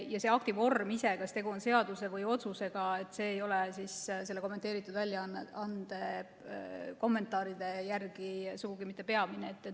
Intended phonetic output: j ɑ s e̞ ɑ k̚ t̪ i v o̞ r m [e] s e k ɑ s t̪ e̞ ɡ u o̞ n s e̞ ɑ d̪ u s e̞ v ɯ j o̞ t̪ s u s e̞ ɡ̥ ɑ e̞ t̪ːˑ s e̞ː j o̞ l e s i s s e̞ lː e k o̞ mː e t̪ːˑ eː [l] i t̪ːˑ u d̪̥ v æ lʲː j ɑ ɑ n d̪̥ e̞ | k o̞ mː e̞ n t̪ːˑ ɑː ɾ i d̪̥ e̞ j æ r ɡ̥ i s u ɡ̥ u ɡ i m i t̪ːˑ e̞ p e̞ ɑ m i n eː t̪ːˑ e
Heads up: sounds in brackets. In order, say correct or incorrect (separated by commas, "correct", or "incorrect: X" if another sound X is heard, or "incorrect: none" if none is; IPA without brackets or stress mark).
incorrect: i, incorrect: ɾ